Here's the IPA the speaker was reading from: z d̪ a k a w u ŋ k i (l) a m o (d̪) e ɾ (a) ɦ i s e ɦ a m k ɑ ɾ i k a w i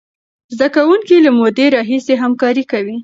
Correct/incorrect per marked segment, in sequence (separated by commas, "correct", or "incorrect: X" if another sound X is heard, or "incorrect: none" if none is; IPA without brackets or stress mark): correct, correct, incorrect: ɑ